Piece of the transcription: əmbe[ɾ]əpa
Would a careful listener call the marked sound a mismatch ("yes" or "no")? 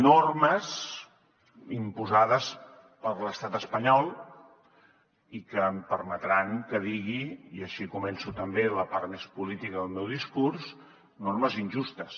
yes